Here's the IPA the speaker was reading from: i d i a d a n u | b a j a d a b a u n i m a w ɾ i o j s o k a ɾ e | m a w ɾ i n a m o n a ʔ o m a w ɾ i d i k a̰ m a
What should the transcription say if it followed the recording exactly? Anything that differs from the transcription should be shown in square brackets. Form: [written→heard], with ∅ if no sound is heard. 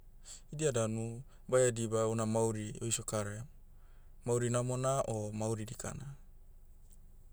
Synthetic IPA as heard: i d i a d a n u | b a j a d [a→i] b a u n [i→a] m a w ɾ i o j s o k a ɾ e | m a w ɾ i n a m o n a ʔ o m a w ɾ i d i k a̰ [m→n] a